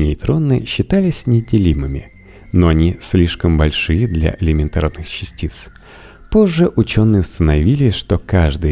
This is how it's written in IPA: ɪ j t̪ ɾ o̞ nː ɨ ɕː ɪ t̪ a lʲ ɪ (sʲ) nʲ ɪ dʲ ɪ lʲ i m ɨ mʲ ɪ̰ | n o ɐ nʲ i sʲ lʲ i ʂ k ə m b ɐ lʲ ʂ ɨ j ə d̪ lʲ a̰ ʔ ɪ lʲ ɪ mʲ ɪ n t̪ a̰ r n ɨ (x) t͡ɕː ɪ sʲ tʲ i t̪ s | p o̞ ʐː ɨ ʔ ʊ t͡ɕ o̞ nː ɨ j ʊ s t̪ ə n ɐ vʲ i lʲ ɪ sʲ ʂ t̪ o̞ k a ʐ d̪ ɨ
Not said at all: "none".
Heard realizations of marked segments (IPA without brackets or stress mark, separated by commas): sʲ, x